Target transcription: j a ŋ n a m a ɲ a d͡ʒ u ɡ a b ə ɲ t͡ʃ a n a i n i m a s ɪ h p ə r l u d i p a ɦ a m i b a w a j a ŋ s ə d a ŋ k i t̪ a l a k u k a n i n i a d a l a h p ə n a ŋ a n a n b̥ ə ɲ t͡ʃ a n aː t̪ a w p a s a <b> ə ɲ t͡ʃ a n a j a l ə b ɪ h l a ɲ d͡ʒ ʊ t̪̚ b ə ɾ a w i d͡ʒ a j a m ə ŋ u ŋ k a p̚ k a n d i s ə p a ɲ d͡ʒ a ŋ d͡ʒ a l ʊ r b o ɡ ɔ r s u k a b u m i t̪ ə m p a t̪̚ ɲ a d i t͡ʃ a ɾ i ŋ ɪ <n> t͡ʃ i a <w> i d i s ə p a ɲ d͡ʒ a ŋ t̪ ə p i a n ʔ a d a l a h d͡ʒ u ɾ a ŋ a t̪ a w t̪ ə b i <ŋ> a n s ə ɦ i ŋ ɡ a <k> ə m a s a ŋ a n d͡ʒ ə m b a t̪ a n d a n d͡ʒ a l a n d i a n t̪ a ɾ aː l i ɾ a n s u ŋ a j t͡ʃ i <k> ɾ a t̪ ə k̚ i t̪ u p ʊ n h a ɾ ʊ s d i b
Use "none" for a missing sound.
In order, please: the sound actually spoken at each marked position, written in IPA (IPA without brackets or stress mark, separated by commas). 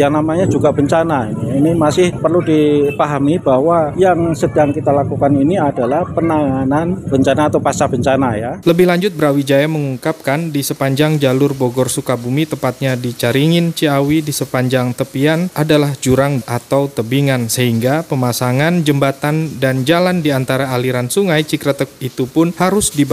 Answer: b, n, w, ŋ, p, k